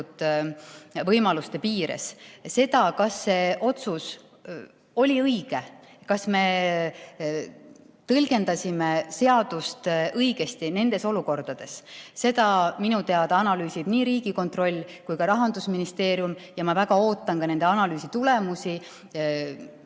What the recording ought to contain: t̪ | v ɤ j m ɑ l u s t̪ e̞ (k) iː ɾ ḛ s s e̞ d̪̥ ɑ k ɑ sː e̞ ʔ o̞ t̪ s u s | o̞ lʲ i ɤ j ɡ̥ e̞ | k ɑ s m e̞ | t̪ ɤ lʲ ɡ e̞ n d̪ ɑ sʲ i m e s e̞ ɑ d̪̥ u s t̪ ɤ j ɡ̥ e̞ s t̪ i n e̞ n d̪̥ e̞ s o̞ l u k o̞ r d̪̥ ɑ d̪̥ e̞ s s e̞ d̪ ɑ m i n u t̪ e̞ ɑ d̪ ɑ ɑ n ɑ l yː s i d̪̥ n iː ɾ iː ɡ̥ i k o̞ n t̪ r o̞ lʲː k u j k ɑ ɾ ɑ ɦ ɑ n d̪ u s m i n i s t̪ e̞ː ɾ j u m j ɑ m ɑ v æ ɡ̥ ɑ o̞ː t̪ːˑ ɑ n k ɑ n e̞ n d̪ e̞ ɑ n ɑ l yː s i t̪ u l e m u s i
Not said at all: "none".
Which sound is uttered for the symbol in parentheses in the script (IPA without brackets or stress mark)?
p